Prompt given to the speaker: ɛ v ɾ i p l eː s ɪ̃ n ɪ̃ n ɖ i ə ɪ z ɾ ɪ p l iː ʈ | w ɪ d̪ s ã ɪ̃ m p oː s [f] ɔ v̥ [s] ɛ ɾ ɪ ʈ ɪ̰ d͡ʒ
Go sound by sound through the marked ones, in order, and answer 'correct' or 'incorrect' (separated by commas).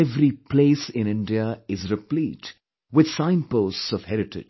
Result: incorrect, incorrect